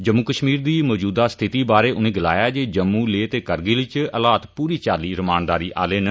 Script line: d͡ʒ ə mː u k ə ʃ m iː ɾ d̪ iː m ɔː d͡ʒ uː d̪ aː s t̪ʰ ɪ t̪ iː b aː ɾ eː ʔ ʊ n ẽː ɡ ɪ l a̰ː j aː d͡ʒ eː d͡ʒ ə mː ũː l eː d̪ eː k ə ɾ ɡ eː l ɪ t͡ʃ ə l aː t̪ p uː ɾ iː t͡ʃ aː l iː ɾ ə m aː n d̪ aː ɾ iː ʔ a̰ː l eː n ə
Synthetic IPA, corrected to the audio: d͡ʒ ə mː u k ə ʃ m iː ɾ d̪ iː m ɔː d͡ʒ uː d̪ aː s t̪ʰ ɪ t̪ iː b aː ɾ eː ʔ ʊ n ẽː ɡ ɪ l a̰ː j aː d͡ʒ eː d͡ʒ ə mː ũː l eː t̪ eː k ə ɾ ɡ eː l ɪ t͡ʃ ə l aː t̪ p uː ɾ iː t͡ʃ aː l iː ɾ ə m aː n d̪ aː ɾ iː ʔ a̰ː l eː n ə